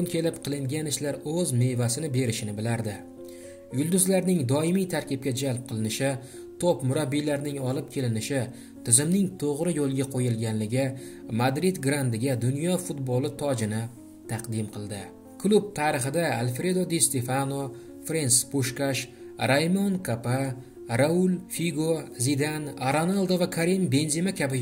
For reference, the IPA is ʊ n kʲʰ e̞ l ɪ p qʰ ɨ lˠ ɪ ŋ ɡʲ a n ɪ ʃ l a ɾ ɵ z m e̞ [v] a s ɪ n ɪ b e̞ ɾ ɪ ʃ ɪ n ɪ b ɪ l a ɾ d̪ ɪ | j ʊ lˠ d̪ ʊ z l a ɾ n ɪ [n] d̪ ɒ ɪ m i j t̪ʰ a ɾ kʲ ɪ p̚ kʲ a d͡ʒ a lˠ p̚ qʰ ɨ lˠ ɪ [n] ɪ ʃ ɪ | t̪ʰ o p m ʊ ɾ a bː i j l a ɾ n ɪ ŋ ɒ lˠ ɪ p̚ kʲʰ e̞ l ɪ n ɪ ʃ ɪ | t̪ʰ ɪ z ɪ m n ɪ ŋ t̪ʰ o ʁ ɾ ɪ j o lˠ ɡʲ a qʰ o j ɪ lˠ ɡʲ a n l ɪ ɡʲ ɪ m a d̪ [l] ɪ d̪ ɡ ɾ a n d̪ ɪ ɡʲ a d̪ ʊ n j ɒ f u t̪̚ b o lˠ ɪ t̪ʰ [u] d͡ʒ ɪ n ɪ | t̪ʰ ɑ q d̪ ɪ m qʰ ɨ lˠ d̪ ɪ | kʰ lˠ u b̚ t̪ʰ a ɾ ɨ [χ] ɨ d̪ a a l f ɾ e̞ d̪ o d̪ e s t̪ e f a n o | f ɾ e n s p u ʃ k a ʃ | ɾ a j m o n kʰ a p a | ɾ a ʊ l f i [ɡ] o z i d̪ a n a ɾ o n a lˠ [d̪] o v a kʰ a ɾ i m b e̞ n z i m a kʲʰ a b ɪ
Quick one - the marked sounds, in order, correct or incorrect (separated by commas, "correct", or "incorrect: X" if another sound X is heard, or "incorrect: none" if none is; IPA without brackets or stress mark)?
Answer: correct, incorrect: ŋ, correct, incorrect: ɾ, incorrect: ɒ, correct, correct, correct